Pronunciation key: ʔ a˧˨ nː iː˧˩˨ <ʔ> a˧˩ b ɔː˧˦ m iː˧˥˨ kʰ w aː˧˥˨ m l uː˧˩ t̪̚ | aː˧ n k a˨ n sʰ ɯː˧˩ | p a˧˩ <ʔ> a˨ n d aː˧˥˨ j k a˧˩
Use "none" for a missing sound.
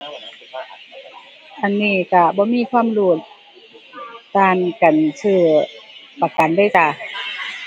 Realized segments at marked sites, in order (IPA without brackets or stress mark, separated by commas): k, k